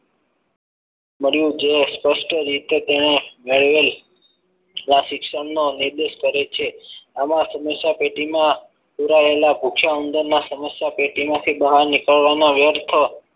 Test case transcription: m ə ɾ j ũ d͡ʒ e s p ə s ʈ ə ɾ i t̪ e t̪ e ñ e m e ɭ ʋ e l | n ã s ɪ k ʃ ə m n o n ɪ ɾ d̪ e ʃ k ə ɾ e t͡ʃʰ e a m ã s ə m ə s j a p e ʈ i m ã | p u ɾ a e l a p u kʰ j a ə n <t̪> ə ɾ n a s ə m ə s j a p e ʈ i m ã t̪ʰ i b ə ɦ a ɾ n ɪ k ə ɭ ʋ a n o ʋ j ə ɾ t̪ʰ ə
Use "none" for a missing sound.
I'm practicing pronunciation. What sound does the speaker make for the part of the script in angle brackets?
d̪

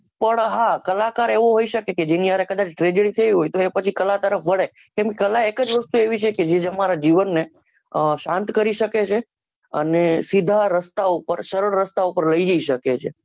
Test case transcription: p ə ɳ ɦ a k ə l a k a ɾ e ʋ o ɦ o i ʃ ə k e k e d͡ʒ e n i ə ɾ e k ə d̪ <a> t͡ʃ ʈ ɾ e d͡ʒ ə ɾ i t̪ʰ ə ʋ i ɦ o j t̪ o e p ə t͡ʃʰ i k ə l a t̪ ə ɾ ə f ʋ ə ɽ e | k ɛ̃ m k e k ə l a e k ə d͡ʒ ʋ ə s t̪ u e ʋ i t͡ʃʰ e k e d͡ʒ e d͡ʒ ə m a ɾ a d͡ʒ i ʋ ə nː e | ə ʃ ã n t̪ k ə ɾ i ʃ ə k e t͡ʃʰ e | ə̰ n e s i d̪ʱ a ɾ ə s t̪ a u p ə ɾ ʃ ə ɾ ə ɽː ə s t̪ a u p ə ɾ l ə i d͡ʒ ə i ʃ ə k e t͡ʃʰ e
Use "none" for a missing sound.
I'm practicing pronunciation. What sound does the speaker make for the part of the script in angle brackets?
a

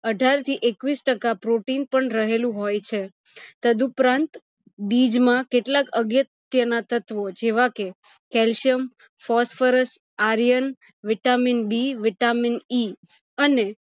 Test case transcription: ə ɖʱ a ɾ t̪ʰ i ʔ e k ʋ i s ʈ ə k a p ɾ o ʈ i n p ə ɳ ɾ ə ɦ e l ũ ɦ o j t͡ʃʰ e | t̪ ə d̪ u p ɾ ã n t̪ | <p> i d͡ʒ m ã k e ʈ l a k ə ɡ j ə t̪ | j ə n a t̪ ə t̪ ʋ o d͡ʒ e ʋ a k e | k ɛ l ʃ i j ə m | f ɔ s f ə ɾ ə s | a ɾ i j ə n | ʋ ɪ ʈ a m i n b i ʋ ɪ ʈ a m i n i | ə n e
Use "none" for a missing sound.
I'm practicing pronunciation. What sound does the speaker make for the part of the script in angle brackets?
b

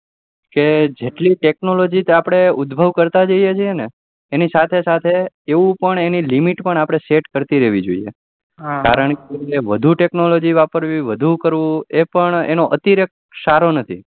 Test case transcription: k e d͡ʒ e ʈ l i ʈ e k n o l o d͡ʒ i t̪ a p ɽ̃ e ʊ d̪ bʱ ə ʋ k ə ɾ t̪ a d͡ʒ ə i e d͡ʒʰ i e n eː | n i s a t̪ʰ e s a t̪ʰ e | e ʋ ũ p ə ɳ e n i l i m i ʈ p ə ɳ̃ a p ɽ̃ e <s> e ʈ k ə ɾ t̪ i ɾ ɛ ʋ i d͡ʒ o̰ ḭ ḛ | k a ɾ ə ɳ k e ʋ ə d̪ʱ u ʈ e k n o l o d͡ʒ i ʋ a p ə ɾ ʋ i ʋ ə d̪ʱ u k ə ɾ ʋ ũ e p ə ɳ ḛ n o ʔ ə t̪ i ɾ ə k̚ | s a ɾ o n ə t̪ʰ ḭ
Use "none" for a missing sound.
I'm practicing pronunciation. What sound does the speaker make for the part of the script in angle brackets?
s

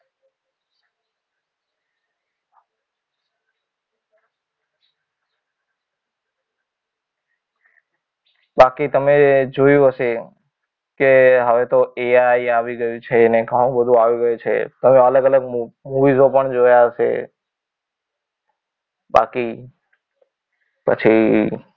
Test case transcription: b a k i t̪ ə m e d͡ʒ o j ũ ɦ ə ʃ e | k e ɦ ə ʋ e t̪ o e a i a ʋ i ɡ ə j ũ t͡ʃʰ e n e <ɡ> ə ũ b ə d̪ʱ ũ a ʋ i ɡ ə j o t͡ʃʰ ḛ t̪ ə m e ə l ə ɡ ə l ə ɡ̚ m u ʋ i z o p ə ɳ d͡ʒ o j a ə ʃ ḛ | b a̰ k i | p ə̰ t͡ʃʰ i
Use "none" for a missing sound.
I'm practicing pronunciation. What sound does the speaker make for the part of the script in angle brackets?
k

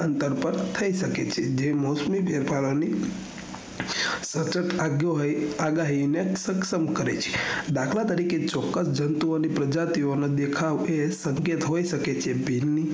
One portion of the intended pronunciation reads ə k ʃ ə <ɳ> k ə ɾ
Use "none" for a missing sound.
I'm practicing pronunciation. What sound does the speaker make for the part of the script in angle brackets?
m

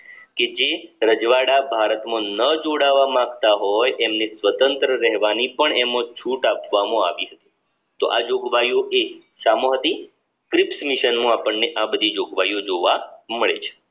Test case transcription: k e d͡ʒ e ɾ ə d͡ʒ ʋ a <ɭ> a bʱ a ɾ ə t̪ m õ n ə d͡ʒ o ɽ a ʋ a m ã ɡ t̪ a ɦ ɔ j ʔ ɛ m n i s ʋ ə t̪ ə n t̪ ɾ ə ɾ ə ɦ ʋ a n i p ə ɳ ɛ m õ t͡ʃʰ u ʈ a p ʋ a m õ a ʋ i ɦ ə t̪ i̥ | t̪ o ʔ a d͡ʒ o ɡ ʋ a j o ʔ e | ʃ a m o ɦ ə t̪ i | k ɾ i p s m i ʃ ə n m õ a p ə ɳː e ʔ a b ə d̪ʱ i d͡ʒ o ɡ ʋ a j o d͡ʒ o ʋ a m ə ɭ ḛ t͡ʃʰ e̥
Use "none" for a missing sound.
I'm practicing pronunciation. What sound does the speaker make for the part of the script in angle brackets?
ɽ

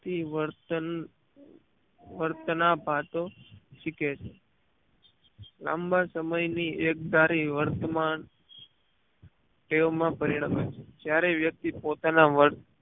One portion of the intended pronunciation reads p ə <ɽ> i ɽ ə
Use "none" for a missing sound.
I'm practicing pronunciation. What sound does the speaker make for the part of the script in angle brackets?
ɾ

